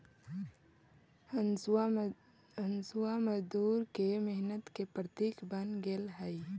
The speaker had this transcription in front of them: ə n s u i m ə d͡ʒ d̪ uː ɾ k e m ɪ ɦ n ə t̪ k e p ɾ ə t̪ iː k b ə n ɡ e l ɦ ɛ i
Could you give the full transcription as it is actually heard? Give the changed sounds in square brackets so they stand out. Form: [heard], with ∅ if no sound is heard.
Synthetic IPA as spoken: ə n s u [a] m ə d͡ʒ d̪ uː ɾ k e m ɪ ɦ n ə t̪ k e p ɾ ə t̪ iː k b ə n ɡ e l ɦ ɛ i